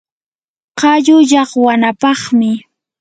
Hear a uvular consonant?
yes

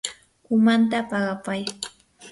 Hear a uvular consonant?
yes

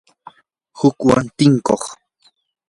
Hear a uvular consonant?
yes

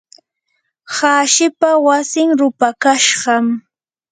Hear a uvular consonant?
yes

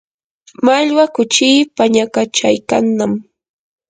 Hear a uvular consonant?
no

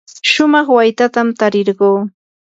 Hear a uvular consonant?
yes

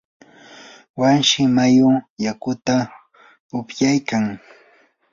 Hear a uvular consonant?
no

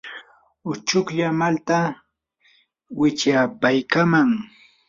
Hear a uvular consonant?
no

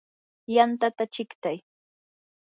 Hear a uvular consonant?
no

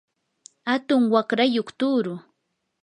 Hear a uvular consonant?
yes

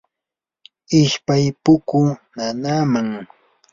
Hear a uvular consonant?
no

